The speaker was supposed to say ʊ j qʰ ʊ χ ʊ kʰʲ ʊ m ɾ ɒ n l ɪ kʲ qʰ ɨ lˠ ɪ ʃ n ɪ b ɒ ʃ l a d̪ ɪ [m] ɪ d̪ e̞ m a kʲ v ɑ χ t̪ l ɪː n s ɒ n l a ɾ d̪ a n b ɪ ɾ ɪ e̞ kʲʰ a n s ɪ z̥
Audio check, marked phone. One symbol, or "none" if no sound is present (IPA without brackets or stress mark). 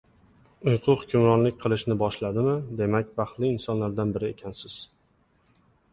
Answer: m